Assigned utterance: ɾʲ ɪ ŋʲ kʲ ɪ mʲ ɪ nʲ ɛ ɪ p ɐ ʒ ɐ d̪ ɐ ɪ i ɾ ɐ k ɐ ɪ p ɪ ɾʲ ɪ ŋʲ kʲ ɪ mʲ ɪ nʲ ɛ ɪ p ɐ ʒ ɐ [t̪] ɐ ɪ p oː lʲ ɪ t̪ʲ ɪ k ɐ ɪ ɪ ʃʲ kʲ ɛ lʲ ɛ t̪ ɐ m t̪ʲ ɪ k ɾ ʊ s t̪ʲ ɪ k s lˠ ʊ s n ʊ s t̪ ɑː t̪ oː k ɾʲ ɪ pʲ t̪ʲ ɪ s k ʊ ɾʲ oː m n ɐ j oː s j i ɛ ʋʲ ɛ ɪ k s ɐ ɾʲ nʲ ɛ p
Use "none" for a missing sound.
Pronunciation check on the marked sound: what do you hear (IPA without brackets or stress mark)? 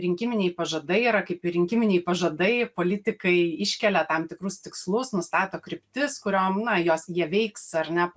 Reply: d̪